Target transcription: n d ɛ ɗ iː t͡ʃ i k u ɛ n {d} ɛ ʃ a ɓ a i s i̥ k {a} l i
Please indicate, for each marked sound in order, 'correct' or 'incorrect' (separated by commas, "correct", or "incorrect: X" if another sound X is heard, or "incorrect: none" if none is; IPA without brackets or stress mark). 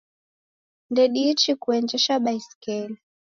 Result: incorrect: d͡ʒ, incorrect: ɛ